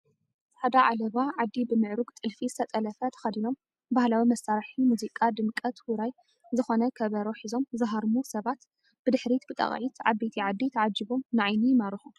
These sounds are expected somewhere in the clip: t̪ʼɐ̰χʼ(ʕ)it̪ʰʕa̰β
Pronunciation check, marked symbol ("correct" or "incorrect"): correct